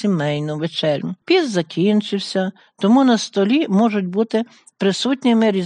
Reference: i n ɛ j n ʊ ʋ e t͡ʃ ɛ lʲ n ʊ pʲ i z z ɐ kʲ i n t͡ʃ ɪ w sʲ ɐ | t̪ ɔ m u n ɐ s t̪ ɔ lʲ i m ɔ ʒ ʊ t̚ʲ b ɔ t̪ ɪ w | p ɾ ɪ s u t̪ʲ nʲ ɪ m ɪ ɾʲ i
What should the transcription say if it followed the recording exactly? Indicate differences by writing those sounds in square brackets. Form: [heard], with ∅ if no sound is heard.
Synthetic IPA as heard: i [m] ɛ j n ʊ ʋ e t͡ʃ ɛ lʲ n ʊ pʲ i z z ɐ kʲ i n t͡ʃ ɪ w sʲ ɐ | t̪ ɔ m u n ɐ s t̪ ɔ lʲ i m ɔ ʒ ʊ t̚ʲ b [u] t̪ ɪ [∅] | p ɾ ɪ s u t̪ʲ nʲ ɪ m ɪ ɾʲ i